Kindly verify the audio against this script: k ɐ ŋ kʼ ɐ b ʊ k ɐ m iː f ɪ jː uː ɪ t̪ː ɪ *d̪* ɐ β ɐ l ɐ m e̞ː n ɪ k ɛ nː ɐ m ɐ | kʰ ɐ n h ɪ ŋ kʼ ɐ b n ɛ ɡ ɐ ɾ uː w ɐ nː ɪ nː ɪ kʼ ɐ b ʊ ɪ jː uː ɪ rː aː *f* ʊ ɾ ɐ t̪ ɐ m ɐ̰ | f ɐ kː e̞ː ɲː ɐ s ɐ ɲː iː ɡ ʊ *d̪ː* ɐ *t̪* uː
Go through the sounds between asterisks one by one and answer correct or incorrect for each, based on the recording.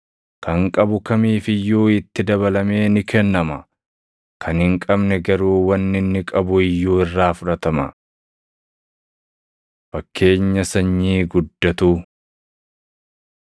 correct, correct, correct, correct

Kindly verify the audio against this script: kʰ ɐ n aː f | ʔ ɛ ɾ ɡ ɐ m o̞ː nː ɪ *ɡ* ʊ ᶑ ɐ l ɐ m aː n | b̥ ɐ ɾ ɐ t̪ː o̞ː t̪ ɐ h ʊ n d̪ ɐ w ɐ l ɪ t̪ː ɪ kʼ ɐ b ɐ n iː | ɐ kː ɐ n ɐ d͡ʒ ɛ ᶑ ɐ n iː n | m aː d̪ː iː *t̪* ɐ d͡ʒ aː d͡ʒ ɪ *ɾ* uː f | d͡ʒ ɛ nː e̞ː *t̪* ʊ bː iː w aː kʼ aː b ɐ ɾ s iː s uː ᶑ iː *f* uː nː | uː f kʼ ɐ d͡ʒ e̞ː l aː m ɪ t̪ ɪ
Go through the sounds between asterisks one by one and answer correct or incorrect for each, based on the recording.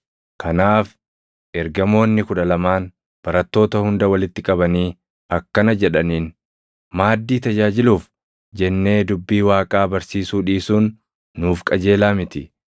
incorrect, correct, incorrect, incorrect, incorrect

